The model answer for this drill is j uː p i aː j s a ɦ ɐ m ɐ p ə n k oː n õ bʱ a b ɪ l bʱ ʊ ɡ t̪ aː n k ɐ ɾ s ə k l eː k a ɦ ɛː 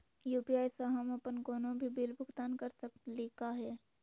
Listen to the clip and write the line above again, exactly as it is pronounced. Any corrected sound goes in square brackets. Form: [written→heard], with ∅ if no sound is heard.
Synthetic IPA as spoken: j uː p i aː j s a ɦ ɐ m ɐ p ə n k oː n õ bʱ [a→i] b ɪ l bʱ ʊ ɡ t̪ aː n k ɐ ɾ s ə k l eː k a ɦ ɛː